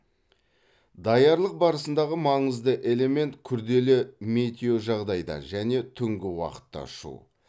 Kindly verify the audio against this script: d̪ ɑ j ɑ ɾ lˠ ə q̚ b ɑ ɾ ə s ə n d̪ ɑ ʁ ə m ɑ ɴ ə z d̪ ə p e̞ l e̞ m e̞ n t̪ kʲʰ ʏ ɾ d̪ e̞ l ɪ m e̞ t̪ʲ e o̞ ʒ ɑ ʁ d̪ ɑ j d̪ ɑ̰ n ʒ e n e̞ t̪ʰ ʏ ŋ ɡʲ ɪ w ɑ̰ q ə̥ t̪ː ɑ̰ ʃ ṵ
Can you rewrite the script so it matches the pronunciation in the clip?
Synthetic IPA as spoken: d̪ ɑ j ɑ ɾ lˠ ə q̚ b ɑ ɾ ə s ə n d̪ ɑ ʁ ə m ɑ ɴ ə z d̪ ə ʔ e̞ l e̞ m e̞ n t̪ kʲʰ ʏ ɾ d̪ e̞ l ɪ m e̞ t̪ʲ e o̞ ʒ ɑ ʁ d̪ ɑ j d̪ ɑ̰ n ʒ æ n e̞ t̪ʰ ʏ ŋ ɡʲ ɪ w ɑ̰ q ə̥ t̪ː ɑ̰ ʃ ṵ